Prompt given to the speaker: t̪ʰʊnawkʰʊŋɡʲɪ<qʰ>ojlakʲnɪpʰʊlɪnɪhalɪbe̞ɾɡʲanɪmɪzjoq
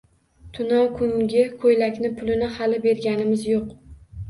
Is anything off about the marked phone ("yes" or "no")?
yes